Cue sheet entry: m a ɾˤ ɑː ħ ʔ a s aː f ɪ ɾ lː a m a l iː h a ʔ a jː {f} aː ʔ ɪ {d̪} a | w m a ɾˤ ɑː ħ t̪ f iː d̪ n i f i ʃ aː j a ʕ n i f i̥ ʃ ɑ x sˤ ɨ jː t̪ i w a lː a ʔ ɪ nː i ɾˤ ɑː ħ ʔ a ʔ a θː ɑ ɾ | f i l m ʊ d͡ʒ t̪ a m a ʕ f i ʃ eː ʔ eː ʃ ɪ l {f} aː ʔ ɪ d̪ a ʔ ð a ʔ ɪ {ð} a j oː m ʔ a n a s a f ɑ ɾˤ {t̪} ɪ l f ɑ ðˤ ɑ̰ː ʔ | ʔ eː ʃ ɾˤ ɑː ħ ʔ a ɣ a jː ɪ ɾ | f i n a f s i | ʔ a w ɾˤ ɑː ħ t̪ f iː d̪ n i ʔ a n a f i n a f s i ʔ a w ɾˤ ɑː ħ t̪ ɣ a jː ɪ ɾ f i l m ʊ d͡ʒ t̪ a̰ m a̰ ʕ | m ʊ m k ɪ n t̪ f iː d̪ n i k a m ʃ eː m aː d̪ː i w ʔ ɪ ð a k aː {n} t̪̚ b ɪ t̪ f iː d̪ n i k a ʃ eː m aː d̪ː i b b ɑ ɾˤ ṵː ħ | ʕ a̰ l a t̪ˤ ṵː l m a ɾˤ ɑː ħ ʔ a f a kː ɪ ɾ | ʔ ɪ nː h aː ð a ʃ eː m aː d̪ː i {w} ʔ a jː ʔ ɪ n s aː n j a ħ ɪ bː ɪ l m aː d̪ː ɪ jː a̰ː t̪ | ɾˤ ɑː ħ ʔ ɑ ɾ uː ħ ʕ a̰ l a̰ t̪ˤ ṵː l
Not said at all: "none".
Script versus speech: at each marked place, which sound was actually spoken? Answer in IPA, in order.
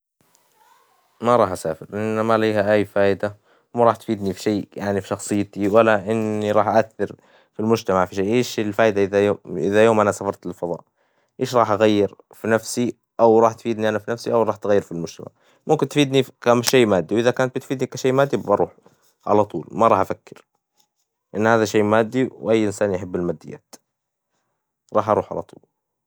f, d̪, f, ð, t̪, n, w

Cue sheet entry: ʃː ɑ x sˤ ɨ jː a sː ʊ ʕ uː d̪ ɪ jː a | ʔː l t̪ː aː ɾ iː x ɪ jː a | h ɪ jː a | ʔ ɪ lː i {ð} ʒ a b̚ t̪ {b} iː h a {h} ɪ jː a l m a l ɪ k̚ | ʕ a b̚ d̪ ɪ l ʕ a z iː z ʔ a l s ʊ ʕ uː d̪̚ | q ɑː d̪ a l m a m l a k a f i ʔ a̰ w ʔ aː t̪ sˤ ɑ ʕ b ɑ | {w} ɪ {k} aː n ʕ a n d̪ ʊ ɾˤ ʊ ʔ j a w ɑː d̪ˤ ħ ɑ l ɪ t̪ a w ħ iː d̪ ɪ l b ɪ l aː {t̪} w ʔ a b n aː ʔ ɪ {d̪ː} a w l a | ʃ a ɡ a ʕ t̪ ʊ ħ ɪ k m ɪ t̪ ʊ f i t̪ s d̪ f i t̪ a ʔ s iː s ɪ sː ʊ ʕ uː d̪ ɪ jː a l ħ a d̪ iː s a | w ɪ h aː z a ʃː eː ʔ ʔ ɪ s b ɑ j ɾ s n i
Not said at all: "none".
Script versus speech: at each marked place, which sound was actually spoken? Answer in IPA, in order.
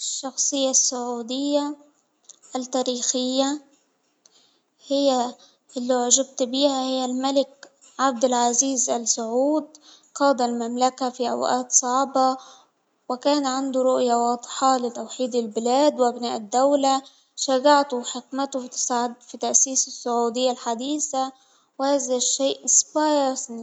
ʕ, b, h, w, k, d̪, d̪ː

